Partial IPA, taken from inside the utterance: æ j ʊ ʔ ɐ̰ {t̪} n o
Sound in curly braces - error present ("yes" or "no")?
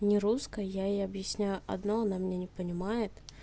yes